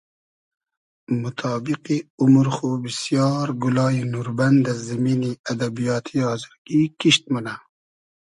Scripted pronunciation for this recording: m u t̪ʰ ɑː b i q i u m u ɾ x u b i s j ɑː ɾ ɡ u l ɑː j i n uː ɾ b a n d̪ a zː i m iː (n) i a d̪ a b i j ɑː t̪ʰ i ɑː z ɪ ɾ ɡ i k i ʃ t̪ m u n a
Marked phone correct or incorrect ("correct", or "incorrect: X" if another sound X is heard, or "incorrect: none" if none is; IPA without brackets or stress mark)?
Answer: correct